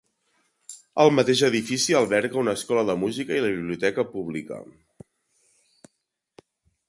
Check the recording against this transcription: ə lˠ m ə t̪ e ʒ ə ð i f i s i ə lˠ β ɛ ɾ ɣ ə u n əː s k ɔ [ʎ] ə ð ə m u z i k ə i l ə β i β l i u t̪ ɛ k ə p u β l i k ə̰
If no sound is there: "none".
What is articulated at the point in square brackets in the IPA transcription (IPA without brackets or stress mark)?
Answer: l